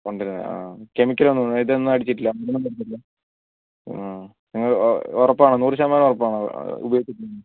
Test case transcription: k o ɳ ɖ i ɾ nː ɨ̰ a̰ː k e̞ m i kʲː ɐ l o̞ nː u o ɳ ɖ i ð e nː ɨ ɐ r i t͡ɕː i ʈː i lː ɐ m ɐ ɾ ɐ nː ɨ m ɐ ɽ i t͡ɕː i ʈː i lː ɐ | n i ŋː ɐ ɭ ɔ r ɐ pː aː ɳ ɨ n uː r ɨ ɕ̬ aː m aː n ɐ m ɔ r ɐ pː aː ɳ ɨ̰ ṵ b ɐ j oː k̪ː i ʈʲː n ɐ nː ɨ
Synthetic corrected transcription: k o ɳ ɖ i ɾ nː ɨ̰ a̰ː k e̞ m i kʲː ɐ l o̞ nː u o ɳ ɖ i ð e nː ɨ ɐ ɽ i t͡ɕː i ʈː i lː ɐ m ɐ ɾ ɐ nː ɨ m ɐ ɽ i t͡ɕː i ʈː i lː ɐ | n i ŋː ɐ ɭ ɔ r ɐ pː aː ɳ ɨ n uː r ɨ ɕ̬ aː m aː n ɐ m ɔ r ɐ pː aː ɳ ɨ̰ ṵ b ɐ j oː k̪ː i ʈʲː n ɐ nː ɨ

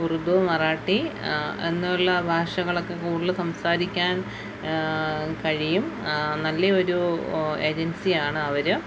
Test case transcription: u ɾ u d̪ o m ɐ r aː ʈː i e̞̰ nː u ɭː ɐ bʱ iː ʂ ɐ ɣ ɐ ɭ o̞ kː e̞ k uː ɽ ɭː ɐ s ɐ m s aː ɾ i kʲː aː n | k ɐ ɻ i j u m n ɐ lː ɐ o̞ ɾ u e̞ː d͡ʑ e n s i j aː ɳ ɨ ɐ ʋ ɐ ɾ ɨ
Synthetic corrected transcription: u r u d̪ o m ɐ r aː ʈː i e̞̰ nː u ɭː ɐ bʱ aː ʂ ɐ ɣ ɐ ɭ o̞ kː e̞ k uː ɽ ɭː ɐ s ɐ m s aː ɾ i kʲː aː n | k ɐ ɻ i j u m n ɐ lː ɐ o̞ ɾ u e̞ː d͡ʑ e n s i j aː ɳ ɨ ɐ ʋ ɐ ɾ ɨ

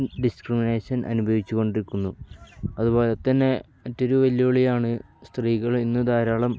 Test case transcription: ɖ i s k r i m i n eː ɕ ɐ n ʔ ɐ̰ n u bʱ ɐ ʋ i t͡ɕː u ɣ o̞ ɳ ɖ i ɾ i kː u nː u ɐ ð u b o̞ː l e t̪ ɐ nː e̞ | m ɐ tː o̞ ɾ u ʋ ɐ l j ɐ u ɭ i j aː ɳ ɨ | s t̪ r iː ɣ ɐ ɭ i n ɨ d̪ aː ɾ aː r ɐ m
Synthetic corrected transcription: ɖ i s k r i m i n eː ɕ ɐ n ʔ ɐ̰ n u bʱ ɐ ʋ i t͡ɕː u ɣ o̞ ɳ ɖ i ɾ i kː u nː u ɐ ð u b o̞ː l e t̪ ɐ nː e̞ | m ɐ tː o̞ ɾ u ʋ ɐ l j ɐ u ɭ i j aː ɳ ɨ | s t̪ r iː ɣ ɐ ɭ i nː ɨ d̪ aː ɾ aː ɭ ɐ m

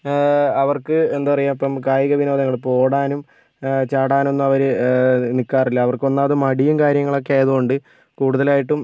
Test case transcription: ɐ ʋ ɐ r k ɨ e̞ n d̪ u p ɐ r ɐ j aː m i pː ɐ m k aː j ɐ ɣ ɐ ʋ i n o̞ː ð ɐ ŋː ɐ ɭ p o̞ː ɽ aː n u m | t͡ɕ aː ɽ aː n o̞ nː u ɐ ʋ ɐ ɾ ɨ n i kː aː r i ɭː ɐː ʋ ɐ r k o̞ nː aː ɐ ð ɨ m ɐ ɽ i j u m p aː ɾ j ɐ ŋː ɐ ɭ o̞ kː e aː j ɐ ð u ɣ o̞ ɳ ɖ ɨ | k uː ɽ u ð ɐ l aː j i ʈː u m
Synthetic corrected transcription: ɐ ʋ ɐ r k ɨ e̞ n d̪ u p ɐ r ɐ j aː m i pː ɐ m k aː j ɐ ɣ ɐ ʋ i n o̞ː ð ɐ ŋː ɐ ɭ p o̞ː ɽ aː n u m | t͡ɕ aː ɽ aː n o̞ nː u ɐ ʋ ɐ ɾ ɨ n i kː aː r i lː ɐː ʋ ɐ r k o̞ nː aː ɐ ð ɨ m ɐ ɽ i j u m k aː ɾ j ɐ ŋː ɐ ɭ o̞ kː e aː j ɐ ð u ɣ o̞ ɳ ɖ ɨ | k uː ɽ u ð ɐ l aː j i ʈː u m

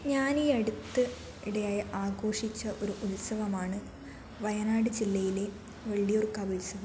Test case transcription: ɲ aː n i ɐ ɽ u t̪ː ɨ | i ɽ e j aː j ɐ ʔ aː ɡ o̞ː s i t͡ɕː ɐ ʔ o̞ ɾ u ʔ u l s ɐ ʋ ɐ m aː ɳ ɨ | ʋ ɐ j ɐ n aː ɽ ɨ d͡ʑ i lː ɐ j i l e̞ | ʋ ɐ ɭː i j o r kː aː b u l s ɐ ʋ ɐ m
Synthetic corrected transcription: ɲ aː n i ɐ ɽ u t̪ː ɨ | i ɽ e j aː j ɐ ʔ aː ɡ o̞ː ʂ i t͡ɕː ɐ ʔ o̞ ɾ u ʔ u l s ɐ ʋ ɐ m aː ɳ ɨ | ʋ ɐ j ɐ n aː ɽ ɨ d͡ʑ i lː ɐ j i l e̞ | ʋ ɐ ɭː i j o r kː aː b u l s ɐ ʋ ɐ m

